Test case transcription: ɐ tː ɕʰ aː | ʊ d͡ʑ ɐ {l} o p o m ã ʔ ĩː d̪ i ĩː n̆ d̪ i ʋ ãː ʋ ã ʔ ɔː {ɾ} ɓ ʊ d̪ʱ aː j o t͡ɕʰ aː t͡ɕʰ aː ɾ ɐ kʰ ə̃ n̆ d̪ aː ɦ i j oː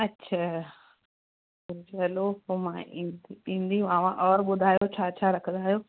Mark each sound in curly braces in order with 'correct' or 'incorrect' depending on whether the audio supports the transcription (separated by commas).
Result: correct, correct